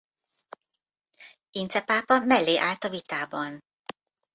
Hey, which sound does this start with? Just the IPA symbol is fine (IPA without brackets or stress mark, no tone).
i